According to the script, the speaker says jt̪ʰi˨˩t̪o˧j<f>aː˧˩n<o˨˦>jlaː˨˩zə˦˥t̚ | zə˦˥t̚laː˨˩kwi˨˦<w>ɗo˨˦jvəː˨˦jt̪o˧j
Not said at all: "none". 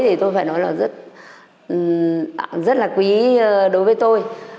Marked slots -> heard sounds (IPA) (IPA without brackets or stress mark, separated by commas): f, ɔ˨˦, none